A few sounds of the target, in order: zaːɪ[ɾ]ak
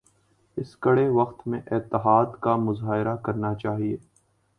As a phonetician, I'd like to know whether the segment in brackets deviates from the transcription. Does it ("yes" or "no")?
no